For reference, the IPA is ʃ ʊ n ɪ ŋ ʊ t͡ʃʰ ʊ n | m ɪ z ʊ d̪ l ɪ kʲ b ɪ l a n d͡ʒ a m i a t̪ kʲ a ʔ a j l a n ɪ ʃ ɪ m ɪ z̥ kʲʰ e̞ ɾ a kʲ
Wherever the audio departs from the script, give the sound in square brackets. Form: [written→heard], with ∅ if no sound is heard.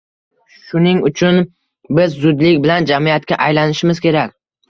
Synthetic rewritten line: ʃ ʊ n ɪ ŋ ʊ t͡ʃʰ ʊ n | [m→b] ɪ [z→zː] ʊ d̪ l ɪ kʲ b ɪ l a n d͡ʒ a m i a t̪ kʲ a ʔ a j l a n ɪ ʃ ɪ m ɪ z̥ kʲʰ e̞ ɾ a kʲ